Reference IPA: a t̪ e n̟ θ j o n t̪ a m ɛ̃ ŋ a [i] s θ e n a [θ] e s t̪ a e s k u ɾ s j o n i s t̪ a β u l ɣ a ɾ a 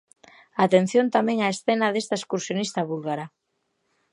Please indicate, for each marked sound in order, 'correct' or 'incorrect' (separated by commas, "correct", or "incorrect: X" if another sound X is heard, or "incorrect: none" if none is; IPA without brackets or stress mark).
incorrect: e, incorrect: ð